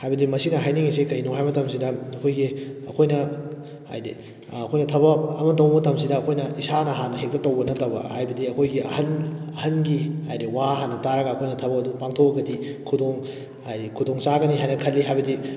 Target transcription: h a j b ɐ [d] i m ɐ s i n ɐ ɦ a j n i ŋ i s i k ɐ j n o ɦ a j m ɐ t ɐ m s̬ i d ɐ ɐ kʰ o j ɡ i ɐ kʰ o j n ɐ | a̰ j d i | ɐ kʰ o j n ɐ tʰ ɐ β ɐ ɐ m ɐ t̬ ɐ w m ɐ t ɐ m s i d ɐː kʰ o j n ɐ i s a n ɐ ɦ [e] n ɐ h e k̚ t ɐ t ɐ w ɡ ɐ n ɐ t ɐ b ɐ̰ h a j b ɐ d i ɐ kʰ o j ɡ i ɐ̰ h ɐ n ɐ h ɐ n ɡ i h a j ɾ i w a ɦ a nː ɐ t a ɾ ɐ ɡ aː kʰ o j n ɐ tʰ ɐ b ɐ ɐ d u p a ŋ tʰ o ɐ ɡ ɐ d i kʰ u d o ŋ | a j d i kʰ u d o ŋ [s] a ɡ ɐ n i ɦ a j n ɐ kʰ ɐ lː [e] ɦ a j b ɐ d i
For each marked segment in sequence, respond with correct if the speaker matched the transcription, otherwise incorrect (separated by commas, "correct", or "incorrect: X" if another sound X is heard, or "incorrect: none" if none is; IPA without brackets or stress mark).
correct, incorrect: a, correct, incorrect: i